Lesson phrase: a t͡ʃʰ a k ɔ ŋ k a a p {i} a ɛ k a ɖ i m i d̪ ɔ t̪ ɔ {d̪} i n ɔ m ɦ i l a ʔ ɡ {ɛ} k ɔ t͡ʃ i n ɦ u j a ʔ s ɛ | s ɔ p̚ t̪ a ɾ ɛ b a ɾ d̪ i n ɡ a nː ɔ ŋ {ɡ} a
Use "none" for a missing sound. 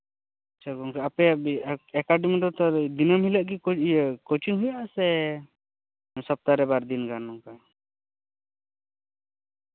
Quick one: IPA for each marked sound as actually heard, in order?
ɛ, d̪, i, k

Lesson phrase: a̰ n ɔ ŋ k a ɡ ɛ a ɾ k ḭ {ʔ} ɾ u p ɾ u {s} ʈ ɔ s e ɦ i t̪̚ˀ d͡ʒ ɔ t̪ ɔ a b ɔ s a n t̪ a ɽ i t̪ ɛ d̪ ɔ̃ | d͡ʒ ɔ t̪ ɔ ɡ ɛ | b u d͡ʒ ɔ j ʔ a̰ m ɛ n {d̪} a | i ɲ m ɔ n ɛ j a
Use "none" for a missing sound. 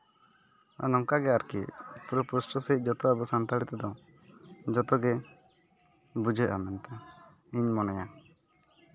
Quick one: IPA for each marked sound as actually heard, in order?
p, s, t̪

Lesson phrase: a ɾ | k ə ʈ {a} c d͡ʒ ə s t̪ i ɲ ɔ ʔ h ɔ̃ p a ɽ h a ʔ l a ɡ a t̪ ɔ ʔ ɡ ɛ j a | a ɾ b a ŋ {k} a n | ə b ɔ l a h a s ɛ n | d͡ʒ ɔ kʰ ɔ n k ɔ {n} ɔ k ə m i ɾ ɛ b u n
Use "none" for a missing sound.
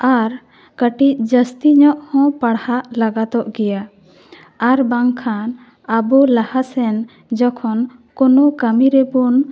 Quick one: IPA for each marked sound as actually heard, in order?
i, kʰ, n

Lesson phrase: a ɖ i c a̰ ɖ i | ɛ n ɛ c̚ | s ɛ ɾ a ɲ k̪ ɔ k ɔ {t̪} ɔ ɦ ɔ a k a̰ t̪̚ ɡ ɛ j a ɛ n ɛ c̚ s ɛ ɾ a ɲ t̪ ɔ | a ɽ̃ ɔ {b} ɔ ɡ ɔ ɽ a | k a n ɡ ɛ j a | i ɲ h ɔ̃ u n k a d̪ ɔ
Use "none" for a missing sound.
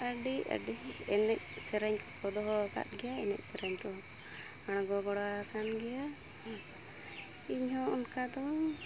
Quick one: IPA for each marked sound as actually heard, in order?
d̪, ɡ

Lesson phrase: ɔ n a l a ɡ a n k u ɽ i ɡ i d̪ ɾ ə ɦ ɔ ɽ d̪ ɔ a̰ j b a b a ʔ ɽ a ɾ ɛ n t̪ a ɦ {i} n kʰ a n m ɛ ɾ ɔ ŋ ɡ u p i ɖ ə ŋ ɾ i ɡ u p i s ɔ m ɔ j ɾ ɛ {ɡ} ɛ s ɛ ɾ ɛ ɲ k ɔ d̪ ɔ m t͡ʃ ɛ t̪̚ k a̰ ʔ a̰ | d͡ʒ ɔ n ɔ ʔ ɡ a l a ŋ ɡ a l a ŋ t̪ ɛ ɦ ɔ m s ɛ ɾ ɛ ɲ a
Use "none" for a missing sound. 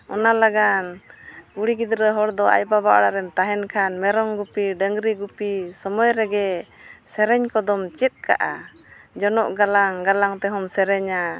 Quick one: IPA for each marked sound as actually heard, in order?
ɛ, ɡ

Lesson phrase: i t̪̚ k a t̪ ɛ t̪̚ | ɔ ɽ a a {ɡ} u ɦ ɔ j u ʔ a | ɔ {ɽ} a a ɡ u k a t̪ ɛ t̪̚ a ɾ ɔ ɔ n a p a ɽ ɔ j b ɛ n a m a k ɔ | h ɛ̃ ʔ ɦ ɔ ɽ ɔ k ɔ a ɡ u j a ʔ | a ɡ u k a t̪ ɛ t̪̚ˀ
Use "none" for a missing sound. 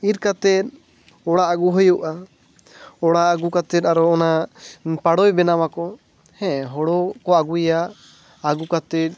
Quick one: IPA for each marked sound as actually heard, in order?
ɡ, ɽ

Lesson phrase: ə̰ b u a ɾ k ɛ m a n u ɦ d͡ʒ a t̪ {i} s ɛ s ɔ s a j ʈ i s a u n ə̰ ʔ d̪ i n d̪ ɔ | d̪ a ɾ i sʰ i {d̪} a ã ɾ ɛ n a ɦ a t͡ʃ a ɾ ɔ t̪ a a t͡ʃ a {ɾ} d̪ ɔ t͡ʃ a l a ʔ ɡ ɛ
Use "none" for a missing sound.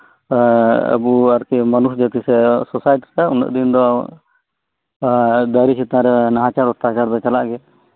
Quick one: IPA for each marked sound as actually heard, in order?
i, t̪, ɾ

